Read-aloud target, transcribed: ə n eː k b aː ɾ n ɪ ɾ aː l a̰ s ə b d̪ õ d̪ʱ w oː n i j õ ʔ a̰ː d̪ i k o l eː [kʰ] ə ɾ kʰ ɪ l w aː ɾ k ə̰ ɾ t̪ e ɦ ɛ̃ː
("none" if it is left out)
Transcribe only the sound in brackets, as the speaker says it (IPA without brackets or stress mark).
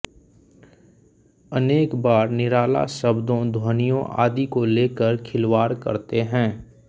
k